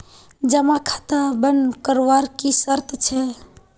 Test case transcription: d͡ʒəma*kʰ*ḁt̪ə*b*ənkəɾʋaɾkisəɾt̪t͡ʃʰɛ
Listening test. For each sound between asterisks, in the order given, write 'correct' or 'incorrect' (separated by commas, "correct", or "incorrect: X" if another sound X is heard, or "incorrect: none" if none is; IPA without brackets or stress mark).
correct, correct